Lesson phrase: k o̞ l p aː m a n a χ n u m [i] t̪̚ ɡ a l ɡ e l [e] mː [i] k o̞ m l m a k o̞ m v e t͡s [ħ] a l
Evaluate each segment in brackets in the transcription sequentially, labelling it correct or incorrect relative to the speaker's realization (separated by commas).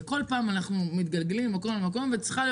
correct, incorrect, incorrect, incorrect